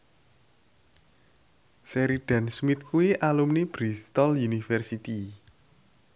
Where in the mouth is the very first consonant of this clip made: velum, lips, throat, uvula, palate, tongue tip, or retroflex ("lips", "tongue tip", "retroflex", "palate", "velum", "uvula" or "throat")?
tongue tip